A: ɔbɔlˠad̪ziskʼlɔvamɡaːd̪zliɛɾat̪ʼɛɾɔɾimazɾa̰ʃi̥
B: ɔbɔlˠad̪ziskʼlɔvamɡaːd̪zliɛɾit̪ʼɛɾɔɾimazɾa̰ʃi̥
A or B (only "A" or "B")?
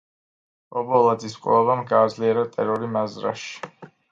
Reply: A